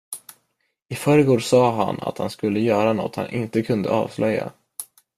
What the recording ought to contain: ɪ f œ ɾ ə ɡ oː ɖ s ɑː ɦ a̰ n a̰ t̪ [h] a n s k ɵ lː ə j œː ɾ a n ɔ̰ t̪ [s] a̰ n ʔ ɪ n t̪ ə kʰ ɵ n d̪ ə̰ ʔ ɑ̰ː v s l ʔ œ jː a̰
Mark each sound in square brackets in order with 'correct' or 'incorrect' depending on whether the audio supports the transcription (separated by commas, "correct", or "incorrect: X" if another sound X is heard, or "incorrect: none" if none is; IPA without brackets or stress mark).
correct, incorrect: h